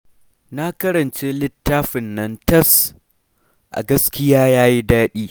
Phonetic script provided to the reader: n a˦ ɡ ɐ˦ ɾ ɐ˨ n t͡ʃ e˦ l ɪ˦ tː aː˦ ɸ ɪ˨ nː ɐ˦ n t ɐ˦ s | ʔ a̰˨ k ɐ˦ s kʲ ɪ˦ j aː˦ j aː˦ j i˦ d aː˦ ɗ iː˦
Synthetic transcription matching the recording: n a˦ k ɐ˦ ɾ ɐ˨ n t͡ʃ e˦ l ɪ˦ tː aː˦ ɸ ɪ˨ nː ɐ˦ n t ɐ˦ s | ʔ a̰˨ ɡ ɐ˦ s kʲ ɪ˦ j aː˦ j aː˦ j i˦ d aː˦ ɗ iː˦